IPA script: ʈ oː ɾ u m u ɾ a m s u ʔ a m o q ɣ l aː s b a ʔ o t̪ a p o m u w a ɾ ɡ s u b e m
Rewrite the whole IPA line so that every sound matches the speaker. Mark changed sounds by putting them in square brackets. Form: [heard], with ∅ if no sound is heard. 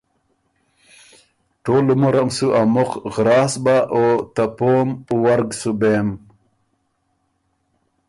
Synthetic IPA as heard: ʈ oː [l] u m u ɾ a m s u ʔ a m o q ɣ [ɾ] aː s b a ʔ o t̪ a p o m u w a ɾ ɡ s u b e m